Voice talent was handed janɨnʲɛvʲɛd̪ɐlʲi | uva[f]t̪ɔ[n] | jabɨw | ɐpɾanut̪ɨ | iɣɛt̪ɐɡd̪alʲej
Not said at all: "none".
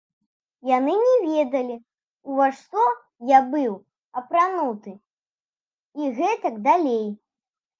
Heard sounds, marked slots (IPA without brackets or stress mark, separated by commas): ʂ, none